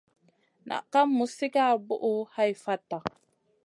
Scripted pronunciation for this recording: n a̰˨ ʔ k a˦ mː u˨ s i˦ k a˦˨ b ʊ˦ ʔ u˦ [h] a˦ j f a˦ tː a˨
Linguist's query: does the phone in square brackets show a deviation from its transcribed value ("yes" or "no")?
no